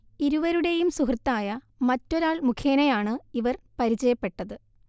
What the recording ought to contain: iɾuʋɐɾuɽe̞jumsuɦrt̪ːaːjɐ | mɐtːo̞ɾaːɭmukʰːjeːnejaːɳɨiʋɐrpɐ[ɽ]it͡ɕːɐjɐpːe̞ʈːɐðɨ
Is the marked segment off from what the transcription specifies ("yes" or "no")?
yes